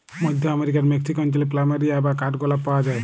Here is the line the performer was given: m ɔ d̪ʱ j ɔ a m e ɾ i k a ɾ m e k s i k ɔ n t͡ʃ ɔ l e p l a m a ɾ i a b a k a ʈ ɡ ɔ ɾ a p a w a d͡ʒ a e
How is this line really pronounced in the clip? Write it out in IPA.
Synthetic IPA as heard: m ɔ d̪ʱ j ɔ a m e ɾ i k a ɾ m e k s i k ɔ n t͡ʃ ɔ l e p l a m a ɾ i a b a k a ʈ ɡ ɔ l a p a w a d͡ʒ a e